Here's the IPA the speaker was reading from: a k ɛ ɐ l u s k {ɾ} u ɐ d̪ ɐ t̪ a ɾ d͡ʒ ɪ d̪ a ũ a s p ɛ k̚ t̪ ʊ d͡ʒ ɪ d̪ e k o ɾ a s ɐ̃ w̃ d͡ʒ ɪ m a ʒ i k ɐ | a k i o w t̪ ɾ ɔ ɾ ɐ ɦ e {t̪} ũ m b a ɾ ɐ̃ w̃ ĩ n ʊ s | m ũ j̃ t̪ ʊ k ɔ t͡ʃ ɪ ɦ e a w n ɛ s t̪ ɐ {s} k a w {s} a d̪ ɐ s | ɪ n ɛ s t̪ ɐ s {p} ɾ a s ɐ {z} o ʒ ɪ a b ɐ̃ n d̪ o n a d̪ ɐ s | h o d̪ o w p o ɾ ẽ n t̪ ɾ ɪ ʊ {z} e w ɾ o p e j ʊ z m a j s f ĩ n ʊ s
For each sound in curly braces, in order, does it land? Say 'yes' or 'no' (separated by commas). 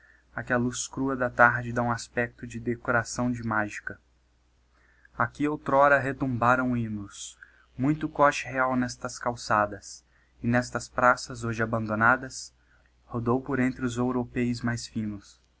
yes, yes, yes, yes, yes, yes, yes